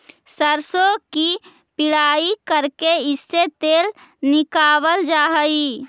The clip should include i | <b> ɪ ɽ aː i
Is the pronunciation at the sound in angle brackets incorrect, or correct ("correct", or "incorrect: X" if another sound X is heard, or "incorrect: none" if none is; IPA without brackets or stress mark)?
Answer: incorrect: p